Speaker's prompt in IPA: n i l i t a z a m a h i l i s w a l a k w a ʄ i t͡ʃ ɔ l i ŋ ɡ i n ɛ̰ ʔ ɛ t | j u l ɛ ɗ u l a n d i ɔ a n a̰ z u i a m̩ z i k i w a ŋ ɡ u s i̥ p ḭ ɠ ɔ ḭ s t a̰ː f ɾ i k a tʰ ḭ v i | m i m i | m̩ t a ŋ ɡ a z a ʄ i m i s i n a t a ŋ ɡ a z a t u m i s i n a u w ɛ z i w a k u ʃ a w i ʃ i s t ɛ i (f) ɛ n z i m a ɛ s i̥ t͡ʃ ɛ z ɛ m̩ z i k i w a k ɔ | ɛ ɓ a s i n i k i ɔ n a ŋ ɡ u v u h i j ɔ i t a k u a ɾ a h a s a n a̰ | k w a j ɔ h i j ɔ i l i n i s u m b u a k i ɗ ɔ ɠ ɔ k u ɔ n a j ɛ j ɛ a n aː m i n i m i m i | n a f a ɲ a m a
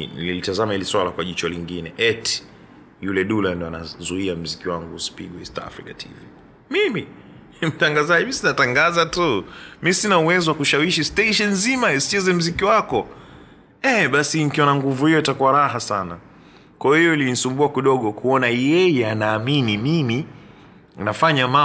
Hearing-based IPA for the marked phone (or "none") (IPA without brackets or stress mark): ʃ